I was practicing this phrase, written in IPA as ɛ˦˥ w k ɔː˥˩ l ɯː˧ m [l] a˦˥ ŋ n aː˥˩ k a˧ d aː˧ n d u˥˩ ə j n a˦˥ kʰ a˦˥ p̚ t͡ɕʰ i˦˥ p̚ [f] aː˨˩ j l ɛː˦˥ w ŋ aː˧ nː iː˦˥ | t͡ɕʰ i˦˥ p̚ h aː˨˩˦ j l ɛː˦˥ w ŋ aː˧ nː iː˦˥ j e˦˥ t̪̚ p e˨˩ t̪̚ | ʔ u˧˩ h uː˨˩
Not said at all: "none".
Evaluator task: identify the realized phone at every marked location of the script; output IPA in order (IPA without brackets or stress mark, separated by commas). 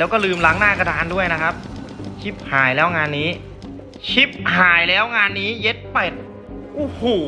l, h